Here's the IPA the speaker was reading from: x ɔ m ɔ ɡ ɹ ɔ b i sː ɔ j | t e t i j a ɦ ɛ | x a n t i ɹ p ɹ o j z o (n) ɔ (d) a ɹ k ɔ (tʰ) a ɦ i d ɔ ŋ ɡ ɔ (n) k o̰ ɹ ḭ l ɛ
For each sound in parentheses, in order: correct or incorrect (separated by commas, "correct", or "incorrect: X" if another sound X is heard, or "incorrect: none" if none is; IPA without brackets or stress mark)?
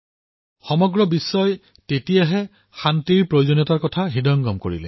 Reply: correct, incorrect: t, correct, incorrect: m